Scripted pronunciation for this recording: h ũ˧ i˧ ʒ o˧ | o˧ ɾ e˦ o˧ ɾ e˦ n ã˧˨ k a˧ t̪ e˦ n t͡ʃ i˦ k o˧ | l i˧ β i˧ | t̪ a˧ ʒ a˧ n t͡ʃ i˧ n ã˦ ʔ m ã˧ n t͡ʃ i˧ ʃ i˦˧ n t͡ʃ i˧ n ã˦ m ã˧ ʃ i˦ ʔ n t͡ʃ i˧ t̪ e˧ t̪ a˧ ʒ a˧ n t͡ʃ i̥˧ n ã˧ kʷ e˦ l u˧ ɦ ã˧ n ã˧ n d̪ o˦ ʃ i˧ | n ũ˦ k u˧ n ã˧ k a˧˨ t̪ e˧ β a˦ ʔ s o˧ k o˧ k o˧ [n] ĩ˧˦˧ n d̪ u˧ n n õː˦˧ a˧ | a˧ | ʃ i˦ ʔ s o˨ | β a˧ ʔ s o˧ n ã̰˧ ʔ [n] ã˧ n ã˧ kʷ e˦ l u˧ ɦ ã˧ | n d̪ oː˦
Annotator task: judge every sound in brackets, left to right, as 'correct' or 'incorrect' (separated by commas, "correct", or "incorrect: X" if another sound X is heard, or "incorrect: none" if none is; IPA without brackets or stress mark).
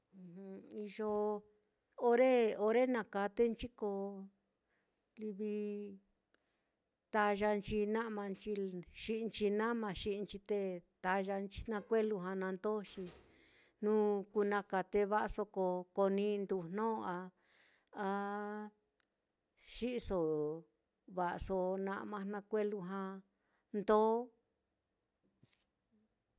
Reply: correct, incorrect: m